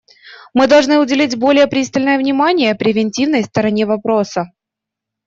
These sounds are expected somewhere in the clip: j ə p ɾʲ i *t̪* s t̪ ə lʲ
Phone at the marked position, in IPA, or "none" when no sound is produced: none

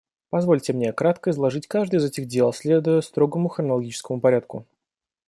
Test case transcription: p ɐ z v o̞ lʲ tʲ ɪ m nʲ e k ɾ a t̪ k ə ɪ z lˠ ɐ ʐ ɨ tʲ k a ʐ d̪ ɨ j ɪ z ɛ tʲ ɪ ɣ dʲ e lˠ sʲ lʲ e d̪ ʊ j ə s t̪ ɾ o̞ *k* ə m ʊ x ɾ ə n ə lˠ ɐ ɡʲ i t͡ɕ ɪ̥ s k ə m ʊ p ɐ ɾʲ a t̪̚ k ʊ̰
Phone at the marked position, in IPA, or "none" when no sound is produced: ɡ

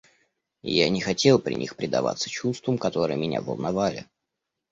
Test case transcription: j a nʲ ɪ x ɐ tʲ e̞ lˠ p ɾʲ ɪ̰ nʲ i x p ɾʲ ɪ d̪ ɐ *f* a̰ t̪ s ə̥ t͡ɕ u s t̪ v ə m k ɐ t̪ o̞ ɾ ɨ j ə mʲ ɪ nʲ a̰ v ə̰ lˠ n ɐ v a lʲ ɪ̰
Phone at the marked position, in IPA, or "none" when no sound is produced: v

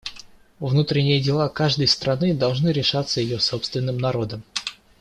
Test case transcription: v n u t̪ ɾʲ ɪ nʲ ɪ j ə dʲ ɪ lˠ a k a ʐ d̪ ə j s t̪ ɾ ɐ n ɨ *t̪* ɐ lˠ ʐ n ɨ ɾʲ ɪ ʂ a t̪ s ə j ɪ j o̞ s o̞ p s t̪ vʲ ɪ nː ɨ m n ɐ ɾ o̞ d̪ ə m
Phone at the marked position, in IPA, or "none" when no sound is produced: d̪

